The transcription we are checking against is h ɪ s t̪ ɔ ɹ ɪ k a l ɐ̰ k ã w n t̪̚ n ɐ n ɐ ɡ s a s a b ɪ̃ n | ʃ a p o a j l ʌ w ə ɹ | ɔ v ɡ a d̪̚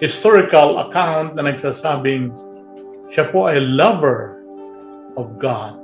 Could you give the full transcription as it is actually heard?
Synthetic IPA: h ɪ s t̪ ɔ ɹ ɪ k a l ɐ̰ k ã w n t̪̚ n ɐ n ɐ ɡ s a s a b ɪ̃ ŋ | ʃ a p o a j l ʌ v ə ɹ | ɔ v ɡ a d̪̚